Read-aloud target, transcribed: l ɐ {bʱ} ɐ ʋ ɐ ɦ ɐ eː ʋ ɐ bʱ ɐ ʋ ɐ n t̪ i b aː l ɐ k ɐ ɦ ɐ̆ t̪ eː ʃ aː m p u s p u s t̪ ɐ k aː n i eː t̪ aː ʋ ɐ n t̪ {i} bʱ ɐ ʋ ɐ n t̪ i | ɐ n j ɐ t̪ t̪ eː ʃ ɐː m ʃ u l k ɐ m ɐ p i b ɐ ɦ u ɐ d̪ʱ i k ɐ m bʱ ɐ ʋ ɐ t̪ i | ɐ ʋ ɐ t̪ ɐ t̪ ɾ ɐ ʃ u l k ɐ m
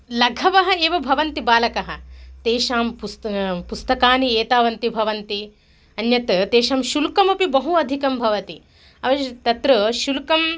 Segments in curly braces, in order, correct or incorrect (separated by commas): incorrect, correct